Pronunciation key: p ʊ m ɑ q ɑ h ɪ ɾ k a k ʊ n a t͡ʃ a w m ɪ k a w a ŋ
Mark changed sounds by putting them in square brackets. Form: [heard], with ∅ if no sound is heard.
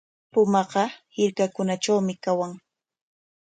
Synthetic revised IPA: p ʊ m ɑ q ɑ h ɪ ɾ k a k ʊ n a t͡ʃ a w m ɪ k a w a ŋ

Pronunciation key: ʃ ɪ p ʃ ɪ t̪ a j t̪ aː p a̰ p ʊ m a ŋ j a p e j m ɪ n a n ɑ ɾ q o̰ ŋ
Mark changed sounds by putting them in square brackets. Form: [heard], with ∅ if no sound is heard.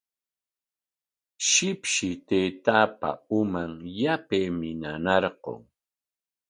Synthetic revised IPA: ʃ ɪ p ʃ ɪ t̪ [e] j t̪ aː p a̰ [∅] ʊ m a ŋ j a p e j m ɪ n a n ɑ ɾ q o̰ ŋ

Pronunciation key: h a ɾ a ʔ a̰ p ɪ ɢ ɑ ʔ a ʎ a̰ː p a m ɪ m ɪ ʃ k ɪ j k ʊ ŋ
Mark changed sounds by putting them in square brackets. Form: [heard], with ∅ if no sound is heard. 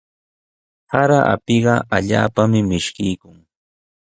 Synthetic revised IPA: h a ɾ a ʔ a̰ p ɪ ɢ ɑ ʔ a ʎ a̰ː p a m ɪ m ɪ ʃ k ɪ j k ʊ ŋ

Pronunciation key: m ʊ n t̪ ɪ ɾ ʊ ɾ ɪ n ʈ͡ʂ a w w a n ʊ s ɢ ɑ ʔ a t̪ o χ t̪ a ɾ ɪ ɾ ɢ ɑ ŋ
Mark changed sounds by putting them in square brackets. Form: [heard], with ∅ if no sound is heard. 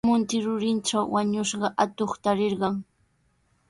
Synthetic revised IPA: m ʊ n t̪ ɪ ɾ ʊ ɾ ɪ n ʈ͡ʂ a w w a [ɲ] ʊ [ʃ] ɢ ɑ ʔ a t̪ o χ t̪ a ɾ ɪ ɾ ɢ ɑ ŋ

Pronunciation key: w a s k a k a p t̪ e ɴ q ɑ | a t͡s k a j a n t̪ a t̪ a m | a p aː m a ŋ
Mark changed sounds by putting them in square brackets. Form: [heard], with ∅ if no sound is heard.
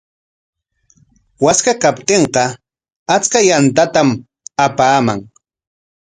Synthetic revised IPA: w a s k a k a p t̪ e ɴ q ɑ | a t͡s k a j a n t̪ a t̪ a m | a p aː m a ŋ

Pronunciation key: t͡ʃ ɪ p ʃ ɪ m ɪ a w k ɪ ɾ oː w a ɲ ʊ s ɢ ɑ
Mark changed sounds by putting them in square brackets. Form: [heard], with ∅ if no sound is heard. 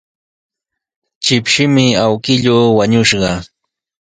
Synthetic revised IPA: t͡ʃ ɪ p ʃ ɪ m ɪ a w k ɪ [ʎ] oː w a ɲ ʊ [ʃ] ɢ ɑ

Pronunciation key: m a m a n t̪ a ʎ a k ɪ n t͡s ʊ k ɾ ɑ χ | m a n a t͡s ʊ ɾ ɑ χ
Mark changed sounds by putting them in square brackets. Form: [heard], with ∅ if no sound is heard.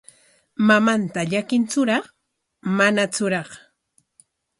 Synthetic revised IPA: m a m a n t̪ a ʎ a k ɪ n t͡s ʊ [∅] ɾ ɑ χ | m a n a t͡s ʊ ɾ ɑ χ

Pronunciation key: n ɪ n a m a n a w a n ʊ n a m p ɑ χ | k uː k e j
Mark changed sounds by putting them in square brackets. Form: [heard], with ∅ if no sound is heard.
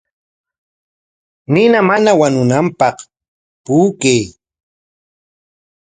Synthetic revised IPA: n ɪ n a m a n a w a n ʊ n a m p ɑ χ | [p] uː k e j

